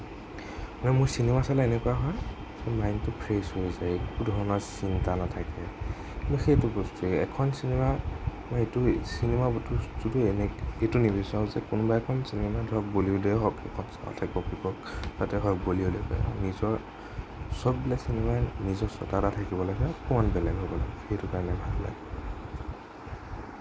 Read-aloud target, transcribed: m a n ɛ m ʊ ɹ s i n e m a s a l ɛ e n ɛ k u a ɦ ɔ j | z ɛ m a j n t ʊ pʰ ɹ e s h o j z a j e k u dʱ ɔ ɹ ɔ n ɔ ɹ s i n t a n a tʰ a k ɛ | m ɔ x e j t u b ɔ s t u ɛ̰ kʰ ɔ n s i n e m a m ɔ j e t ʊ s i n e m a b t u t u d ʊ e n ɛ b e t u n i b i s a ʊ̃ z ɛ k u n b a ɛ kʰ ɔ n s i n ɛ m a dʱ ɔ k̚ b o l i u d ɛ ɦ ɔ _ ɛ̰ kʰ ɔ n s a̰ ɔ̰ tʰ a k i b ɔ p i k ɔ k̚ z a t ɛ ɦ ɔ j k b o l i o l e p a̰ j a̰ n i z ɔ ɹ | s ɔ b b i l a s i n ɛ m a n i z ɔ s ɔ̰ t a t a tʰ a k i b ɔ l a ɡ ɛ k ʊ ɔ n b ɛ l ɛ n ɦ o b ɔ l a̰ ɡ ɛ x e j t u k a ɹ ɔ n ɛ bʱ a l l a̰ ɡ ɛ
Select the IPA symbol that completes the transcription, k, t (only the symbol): k